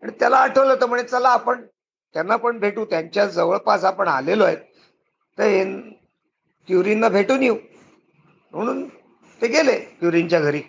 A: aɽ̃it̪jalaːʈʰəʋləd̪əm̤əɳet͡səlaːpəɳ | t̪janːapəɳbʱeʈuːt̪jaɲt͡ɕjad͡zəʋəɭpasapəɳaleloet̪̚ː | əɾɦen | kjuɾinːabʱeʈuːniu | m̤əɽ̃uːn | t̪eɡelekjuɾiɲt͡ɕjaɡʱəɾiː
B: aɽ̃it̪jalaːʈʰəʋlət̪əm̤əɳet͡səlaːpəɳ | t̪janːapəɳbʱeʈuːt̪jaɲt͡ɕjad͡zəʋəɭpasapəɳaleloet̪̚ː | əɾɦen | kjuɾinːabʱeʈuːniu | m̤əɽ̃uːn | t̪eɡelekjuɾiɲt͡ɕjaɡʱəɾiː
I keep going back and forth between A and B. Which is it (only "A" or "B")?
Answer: B